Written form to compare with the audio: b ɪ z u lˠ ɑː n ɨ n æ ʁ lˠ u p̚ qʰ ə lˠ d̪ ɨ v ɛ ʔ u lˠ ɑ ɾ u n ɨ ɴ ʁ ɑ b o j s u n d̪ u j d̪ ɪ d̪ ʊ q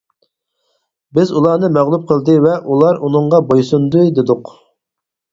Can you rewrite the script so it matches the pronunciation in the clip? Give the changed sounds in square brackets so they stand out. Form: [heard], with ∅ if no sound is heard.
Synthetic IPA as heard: b ɪ z u lˠ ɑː n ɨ [m] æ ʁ lˠ u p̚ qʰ ə lˠ d̪ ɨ v ɛ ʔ u lˠ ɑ ɾ u n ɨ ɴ ʁ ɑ b o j s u n d̪ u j d̪ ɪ d̪ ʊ q